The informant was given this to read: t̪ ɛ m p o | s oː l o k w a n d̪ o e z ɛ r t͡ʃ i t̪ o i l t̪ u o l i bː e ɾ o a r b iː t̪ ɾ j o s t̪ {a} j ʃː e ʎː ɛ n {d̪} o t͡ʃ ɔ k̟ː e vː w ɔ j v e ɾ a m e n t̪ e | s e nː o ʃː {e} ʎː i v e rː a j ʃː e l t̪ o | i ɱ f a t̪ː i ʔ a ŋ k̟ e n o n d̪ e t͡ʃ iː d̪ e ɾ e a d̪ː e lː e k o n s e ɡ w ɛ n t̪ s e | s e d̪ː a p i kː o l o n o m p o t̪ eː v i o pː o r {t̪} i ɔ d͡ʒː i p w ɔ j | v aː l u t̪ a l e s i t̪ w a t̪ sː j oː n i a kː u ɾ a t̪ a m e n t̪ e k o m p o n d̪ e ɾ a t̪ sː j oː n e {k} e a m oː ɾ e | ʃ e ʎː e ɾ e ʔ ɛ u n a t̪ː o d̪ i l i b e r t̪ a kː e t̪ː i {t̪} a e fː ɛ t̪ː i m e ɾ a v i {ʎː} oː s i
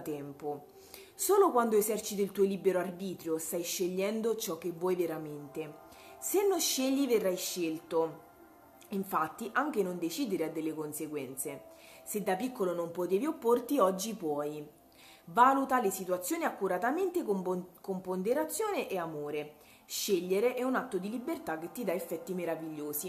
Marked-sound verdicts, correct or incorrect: correct, correct, correct, correct, incorrect, incorrect, correct

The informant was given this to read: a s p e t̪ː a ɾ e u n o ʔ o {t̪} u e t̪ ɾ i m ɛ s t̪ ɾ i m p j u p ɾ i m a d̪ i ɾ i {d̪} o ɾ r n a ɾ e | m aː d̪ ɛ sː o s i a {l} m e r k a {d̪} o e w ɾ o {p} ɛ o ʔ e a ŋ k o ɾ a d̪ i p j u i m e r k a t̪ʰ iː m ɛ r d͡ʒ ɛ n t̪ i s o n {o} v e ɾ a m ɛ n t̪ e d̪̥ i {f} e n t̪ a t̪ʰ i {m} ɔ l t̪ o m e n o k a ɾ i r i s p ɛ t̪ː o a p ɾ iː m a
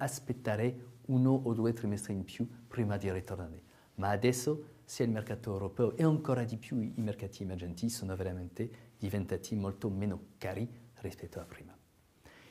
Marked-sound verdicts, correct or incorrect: incorrect, incorrect, correct, incorrect, correct, correct, incorrect, correct

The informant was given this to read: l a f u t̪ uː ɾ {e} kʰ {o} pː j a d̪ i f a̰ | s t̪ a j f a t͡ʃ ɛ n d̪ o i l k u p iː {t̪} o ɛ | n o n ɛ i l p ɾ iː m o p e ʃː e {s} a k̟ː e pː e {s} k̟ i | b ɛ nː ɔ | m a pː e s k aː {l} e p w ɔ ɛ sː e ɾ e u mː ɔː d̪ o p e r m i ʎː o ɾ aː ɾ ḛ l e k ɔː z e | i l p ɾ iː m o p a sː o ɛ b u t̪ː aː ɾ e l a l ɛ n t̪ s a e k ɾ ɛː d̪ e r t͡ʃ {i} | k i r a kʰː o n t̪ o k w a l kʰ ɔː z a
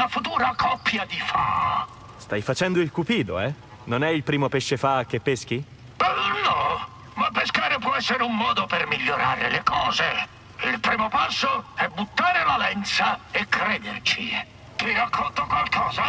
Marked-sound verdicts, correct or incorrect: incorrect, incorrect, incorrect, incorrect, correct, incorrect, correct

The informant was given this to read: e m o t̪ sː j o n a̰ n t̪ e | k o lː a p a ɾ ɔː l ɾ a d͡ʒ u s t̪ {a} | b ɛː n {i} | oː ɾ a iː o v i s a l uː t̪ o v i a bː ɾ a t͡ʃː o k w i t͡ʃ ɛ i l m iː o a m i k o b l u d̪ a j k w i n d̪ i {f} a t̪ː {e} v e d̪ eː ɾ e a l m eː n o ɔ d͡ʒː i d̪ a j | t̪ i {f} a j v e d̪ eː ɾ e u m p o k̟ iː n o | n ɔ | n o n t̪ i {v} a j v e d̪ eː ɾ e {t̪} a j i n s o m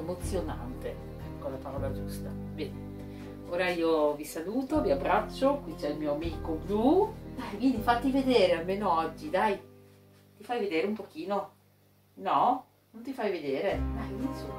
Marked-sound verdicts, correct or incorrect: correct, incorrect, correct, incorrect, correct, incorrect, incorrect

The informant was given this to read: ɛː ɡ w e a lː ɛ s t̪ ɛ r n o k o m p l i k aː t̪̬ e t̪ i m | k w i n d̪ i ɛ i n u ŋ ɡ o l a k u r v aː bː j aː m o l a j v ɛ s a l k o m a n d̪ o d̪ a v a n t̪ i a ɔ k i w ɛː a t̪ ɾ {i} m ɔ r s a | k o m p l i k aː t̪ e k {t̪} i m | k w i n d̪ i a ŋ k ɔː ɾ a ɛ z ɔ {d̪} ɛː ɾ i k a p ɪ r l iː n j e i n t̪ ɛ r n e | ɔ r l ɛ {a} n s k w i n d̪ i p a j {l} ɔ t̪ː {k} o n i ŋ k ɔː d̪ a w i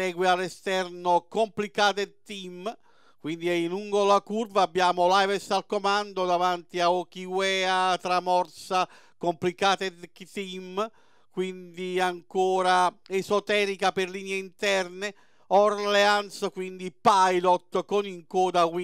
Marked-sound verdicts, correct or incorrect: incorrect, correct, incorrect, correct, correct, correct

